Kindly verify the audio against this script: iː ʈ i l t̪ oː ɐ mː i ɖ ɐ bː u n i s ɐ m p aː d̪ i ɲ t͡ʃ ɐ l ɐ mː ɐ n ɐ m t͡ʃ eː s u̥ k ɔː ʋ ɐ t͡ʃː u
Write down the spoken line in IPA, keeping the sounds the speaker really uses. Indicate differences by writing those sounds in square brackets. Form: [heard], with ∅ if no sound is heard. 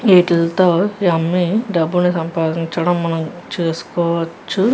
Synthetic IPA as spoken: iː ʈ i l t̪ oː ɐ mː i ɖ ɐ bː u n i s ɐ m p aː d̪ i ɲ t͡ʃ ɐ [ɽ] ɐ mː ɐ n ɐ m t͡ʃ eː s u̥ k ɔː ʋ ɐ t͡ʃː u